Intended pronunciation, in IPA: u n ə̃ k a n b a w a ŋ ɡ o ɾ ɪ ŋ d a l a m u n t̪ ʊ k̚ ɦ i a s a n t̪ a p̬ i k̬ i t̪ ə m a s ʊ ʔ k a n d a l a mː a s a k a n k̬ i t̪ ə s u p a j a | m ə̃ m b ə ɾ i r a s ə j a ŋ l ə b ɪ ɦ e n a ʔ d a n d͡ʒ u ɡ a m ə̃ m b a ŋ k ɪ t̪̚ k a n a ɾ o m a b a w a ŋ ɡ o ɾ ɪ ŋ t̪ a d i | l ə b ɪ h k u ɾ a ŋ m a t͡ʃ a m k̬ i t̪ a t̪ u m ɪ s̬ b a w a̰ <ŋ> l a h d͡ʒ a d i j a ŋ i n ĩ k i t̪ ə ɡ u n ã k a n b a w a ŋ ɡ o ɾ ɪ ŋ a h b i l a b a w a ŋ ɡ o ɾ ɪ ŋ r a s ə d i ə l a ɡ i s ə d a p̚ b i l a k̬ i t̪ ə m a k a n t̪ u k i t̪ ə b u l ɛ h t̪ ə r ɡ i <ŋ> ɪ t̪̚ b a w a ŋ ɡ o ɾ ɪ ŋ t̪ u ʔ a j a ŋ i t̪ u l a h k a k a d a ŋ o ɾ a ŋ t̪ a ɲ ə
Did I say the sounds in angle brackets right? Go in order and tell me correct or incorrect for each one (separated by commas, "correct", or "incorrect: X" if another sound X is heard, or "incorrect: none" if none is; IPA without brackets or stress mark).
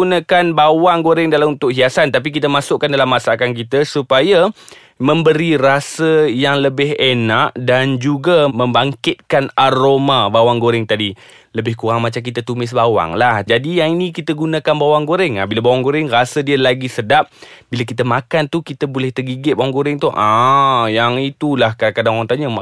correct, incorrect: ɡ